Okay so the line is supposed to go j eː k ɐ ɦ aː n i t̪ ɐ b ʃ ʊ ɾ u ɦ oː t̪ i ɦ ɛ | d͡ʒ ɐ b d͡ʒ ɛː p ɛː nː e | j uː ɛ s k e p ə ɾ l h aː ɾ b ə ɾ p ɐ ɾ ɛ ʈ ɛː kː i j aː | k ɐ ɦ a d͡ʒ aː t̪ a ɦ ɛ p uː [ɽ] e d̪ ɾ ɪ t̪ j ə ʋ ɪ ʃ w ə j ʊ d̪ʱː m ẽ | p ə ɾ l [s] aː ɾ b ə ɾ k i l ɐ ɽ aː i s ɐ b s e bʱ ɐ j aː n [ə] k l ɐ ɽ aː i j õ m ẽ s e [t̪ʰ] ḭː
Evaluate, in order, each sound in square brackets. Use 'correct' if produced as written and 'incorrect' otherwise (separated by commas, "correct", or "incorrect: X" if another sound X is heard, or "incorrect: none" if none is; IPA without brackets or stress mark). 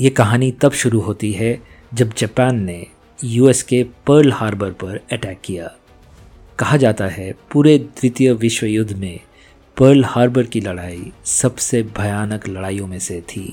incorrect: ɾ, incorrect: h, correct, correct